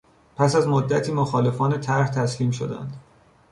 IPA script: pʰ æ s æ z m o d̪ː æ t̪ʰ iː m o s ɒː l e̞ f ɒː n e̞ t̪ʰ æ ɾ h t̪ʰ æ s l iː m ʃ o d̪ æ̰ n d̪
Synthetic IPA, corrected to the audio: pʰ æ s æ z m o d̪ː æ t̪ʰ iː m o x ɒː l e̞ f ɒː n e̞ t̪ʰ æ ɾ h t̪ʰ æ s l iː m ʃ o d̪ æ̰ n d̪